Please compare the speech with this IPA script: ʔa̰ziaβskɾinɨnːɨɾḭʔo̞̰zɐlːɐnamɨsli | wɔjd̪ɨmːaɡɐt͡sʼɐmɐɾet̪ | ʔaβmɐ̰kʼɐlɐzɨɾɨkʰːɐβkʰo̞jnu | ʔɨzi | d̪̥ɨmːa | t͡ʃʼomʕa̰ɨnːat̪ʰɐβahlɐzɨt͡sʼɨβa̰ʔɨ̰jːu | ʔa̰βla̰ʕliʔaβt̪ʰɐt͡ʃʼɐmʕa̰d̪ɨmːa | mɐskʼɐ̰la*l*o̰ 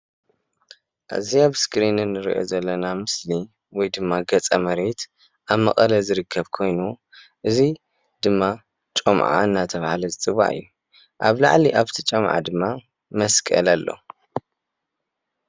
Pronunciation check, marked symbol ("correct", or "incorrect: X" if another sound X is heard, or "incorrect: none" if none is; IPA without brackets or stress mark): incorrect: lː